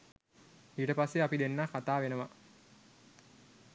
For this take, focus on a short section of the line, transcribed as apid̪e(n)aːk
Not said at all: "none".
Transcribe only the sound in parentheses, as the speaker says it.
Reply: nː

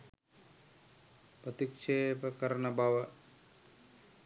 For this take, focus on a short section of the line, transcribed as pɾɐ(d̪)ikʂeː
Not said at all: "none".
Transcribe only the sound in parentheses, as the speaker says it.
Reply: t̪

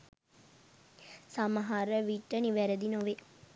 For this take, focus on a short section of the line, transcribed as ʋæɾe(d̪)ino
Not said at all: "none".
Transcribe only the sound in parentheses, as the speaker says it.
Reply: d̪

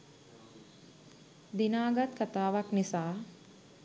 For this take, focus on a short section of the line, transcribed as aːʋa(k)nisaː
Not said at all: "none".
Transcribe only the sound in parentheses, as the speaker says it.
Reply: k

